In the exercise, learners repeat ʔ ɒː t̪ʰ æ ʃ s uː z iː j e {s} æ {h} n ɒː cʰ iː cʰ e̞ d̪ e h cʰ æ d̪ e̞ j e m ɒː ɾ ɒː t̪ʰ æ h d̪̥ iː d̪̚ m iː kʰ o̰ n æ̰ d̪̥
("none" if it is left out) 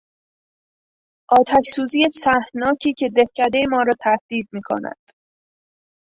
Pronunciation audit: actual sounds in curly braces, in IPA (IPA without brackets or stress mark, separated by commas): s, h